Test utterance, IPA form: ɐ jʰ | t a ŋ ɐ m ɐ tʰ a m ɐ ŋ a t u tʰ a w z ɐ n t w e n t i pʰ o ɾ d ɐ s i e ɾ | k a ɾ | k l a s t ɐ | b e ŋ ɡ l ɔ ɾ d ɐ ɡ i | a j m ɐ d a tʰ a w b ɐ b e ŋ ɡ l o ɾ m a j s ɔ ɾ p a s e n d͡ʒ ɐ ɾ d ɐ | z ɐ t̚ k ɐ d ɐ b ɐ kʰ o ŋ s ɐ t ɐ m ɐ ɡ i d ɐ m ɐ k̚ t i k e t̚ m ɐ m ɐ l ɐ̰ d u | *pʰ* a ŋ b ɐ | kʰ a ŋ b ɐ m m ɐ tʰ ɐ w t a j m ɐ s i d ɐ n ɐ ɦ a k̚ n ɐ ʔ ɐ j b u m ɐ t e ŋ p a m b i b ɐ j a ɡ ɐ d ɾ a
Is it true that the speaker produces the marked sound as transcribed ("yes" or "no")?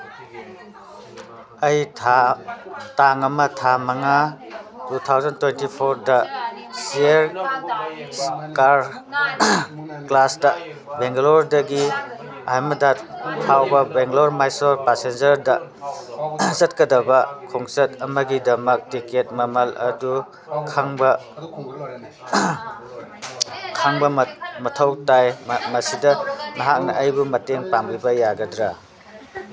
no